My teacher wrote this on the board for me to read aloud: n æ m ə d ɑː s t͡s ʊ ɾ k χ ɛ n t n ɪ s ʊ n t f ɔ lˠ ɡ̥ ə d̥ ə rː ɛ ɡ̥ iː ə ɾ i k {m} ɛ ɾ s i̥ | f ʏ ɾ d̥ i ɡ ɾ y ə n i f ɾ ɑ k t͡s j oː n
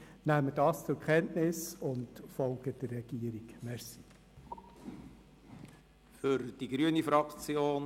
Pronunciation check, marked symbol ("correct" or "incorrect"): correct